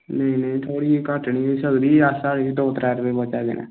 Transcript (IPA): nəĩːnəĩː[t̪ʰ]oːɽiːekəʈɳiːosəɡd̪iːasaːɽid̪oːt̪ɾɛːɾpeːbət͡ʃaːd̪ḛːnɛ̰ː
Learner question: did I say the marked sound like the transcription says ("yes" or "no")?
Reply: yes